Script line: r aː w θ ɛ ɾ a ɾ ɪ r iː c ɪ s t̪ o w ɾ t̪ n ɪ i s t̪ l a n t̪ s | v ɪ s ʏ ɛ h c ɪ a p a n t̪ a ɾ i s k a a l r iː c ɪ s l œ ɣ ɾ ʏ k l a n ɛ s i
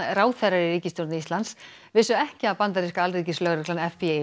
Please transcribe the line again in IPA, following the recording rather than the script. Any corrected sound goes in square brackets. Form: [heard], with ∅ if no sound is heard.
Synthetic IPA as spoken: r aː w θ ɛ ɾ a ɾ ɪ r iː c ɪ s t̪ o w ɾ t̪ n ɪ i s t̪ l a n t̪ s | v ɪ s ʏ ɛ h c ɪ a p a n t̪ a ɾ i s k a a l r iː c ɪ s l œ ɣ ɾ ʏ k l a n ɛ [f] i